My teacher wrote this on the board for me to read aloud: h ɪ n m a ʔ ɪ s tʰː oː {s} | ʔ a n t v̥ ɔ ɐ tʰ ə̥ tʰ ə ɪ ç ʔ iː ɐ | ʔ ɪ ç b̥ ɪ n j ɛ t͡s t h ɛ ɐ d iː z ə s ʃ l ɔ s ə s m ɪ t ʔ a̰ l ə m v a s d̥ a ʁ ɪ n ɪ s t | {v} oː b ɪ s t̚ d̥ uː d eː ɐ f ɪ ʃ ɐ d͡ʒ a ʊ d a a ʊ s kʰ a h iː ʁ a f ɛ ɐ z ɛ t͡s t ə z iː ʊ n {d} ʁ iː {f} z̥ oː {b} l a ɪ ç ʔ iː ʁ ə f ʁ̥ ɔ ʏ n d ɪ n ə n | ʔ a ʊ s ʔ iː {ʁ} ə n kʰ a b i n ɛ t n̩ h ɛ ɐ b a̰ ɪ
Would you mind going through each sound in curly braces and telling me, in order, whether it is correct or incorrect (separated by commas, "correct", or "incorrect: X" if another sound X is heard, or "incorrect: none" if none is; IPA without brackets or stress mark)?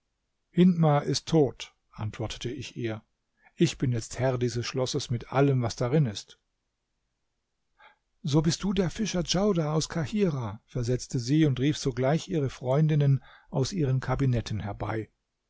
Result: incorrect: t, incorrect: z, incorrect: t, correct, incorrect: ɡ, correct